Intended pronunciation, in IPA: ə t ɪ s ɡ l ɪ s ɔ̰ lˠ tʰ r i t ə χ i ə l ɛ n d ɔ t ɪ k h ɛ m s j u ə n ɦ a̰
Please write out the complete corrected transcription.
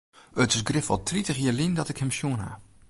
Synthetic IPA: ə t ɪ s ɡ r ɪ f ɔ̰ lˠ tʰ r i t ə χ j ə l i n d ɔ t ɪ k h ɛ m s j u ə n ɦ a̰